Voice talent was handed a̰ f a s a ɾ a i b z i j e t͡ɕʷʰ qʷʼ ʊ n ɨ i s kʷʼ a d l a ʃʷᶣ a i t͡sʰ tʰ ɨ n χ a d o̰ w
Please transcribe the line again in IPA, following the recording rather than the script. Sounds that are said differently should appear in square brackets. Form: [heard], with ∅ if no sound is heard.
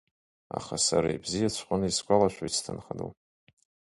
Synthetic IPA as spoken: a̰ [χ] a s a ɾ a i b z i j [a] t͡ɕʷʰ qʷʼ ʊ n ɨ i s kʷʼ a [∅] l a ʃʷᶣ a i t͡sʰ tʰ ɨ n χ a d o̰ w